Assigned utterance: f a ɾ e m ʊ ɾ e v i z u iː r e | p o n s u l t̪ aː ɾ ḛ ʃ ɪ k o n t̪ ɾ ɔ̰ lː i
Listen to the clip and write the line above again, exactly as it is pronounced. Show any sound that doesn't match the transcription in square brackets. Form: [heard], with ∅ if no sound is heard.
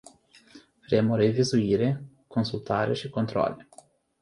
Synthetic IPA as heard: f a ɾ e m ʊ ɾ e v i z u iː [ɾ] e | [k] o n s u l t̪ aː ɾ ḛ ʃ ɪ k o n t̪ ɾ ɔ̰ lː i